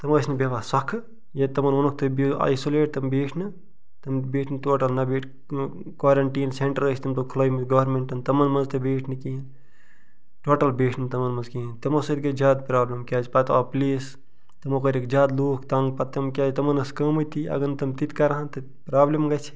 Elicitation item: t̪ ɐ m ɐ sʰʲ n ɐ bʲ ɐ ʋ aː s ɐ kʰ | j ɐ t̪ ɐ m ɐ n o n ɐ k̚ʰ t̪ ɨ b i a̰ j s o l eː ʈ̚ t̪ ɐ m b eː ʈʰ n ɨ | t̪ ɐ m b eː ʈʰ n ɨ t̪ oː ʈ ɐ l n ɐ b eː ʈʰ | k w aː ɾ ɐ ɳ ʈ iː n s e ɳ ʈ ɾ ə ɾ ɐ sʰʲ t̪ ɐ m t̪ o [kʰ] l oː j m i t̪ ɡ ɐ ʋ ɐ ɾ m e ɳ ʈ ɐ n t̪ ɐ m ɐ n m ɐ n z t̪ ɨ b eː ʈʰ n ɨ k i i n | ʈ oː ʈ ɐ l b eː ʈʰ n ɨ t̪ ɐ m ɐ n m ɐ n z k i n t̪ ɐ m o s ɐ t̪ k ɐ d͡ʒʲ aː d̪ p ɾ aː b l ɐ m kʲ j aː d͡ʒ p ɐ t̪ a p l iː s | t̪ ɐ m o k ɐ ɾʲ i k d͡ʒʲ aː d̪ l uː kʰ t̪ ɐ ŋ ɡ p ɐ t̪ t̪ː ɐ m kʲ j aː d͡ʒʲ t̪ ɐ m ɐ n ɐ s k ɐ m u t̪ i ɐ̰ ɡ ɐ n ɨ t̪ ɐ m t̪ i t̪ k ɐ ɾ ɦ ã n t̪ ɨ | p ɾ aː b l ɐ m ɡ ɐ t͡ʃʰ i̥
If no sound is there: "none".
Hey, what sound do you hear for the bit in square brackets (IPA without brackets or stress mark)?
kʰ